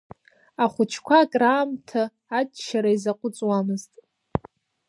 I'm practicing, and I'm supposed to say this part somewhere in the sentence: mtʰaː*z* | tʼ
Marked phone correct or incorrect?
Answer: incorrect